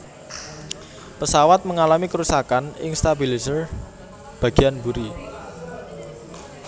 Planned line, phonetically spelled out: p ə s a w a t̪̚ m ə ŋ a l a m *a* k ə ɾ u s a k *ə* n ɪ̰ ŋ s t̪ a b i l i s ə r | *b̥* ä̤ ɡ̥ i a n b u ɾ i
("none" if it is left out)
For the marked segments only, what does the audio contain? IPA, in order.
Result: i, a, b̥

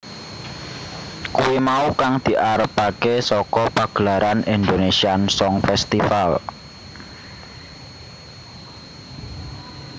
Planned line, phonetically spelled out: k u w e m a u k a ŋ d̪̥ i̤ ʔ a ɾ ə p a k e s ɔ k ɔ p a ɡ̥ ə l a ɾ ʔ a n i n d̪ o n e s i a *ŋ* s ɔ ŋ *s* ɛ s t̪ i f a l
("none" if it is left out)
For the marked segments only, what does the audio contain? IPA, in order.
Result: n, f

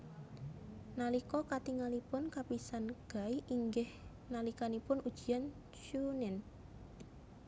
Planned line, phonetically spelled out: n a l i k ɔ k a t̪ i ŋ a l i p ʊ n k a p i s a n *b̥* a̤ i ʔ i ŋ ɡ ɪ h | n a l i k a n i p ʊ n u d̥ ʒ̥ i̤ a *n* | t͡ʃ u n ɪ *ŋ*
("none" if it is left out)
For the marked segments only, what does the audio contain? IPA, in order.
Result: ɡ̥, n, n

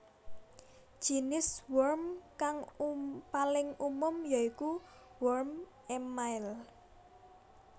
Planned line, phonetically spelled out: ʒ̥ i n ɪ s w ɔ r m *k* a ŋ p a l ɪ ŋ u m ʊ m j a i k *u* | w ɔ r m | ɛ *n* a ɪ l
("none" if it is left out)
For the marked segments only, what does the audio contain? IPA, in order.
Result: k, u, m

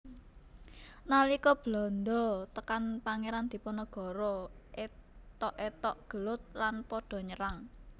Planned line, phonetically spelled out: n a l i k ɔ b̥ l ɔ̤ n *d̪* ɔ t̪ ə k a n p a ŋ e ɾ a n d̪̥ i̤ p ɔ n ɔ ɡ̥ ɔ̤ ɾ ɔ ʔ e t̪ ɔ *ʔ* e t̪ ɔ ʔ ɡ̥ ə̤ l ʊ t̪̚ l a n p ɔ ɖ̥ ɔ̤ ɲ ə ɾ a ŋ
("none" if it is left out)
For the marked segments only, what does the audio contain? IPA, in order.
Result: d̪, ʔ

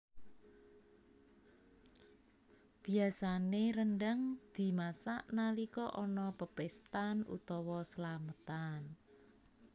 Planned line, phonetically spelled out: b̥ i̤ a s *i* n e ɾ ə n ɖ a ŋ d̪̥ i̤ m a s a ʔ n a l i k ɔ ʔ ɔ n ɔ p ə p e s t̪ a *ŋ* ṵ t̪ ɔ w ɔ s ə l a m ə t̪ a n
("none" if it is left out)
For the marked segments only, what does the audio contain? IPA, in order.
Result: a, n

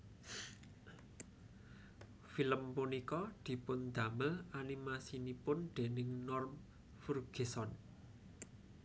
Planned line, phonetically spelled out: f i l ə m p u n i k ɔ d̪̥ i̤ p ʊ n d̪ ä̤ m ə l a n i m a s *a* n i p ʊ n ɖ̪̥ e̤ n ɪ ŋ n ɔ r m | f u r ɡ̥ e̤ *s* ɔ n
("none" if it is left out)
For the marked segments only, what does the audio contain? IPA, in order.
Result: i, s

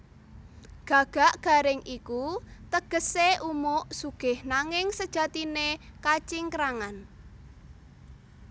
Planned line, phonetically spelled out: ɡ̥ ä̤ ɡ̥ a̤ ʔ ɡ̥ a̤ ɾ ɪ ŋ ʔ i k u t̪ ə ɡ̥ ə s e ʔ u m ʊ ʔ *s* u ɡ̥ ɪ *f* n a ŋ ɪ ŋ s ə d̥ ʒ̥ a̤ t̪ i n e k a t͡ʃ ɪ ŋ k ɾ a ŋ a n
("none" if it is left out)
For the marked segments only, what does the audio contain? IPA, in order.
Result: s, h

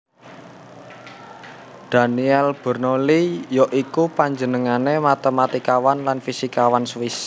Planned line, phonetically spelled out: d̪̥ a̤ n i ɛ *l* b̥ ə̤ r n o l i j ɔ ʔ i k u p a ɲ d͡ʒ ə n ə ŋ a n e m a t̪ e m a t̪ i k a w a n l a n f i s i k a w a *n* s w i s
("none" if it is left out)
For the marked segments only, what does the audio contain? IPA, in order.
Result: l, n

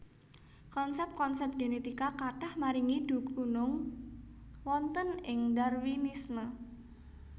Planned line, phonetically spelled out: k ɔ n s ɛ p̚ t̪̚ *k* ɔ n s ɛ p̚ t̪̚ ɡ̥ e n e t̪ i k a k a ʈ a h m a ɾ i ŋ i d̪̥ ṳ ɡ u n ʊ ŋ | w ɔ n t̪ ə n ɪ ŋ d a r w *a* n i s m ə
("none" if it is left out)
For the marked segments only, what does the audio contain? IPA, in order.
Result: k, i

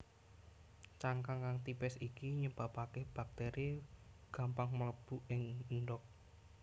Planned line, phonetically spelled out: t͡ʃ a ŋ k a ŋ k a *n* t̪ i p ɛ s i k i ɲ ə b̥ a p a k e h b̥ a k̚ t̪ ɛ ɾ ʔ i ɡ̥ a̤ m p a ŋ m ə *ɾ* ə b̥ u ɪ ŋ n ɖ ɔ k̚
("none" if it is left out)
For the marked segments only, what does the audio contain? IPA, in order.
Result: ŋ, l

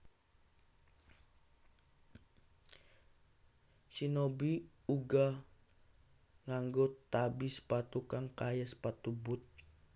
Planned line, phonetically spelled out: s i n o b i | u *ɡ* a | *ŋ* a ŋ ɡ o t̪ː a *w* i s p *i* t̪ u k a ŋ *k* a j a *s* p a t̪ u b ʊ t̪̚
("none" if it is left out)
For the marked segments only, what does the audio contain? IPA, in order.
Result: ɡ, ŋ, b, a, k, s

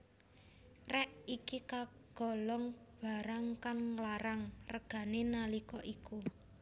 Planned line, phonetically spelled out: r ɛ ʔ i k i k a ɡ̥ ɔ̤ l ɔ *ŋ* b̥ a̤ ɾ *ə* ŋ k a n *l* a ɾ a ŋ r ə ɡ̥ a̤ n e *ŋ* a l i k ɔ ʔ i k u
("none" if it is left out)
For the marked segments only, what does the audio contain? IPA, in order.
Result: ŋ, a, l, n

